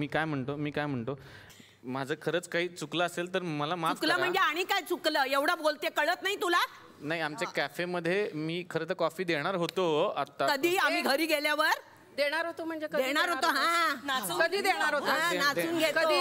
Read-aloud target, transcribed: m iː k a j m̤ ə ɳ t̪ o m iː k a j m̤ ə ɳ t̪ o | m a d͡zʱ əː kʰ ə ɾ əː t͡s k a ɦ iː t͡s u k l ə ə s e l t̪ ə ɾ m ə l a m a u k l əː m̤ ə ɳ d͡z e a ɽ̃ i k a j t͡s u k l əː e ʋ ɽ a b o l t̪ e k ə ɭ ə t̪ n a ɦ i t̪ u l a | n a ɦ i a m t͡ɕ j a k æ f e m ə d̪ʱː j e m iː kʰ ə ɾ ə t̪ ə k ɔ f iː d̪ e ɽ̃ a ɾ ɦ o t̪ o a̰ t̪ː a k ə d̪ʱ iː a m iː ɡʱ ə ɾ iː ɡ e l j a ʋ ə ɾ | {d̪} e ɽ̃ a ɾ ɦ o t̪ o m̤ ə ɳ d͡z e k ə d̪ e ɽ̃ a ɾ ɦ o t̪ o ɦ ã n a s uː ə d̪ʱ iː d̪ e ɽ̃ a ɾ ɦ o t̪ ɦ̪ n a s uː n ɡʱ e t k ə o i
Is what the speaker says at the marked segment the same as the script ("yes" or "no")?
yes